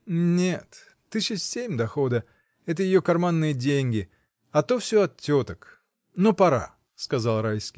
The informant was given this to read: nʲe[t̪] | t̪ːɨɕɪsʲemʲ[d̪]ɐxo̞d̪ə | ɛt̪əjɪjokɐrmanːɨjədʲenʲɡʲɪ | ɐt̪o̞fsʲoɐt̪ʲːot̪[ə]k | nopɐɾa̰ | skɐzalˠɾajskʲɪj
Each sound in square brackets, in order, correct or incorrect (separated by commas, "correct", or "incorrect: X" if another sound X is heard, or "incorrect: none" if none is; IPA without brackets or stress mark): correct, correct, correct